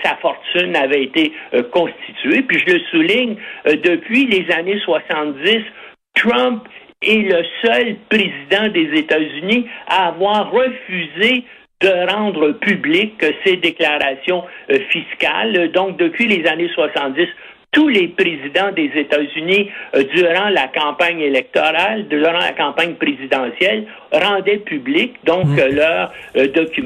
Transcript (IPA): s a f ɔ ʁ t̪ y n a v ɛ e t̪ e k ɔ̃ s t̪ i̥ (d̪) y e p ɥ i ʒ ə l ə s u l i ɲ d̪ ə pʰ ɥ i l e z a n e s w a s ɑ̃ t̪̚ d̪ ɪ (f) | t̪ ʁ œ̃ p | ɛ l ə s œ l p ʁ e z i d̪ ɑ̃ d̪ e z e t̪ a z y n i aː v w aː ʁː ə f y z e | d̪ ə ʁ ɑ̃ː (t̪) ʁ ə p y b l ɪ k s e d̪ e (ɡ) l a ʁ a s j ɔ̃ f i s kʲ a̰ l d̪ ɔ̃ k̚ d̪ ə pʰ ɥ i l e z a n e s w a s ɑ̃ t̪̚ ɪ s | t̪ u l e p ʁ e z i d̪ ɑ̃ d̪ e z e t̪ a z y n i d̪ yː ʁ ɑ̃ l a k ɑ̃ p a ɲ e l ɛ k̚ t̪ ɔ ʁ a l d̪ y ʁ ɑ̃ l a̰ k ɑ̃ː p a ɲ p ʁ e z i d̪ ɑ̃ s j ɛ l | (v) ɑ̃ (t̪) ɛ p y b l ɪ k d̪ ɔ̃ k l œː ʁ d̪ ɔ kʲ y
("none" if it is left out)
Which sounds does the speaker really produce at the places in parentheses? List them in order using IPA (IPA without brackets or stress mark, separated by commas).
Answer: t̪, s, d̪, k, ʁ, d̪